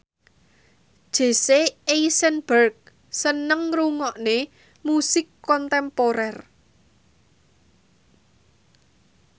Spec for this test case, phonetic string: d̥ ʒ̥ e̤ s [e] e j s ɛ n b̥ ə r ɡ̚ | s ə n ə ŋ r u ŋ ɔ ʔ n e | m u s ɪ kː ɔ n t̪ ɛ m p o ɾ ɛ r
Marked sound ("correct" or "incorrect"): correct